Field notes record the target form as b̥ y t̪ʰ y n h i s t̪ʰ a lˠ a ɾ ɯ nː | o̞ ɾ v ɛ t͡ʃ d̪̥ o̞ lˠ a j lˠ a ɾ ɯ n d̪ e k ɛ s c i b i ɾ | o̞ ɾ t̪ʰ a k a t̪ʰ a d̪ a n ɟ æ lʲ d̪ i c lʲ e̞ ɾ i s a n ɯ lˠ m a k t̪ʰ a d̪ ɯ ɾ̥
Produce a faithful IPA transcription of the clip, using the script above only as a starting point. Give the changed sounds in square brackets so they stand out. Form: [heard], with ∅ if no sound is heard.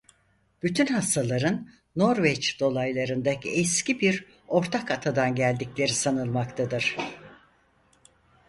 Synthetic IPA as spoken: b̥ y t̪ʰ y n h [a] s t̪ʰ a lˠ a ɾ ɯ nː | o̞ ɾ v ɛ t͡ʃ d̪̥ o̞ lˠ a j lˠ a ɾ ɯ n d̪ [a] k ɛ s c i b i ɾ | o̞ ɾ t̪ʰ a k a t̪ʰ a d̪ a n ɟ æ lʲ d̪ i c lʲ e̞ ɾ i s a n ɯ lˠ m a k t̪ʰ a d̪ ɯ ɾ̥